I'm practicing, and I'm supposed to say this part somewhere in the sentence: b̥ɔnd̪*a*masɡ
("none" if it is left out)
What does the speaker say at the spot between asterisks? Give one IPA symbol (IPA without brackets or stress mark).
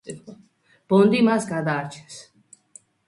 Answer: i